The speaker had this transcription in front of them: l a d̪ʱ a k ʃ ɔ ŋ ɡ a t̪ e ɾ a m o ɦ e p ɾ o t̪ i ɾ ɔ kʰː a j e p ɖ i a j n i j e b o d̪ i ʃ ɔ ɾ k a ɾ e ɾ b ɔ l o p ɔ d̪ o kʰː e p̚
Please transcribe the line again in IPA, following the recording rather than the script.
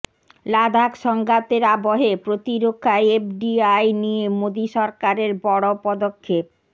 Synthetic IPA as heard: l a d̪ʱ a k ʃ ɔ ŋ ɡ a t̪ e ɾ a b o ɦ e p ɾ o t̪ i ɾ o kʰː a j e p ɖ i a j n i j e m o d̪ i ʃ ɔ ɾ k a ɾ e ɾ b ɔ ɽ o p ɔ d̪ o kʰː e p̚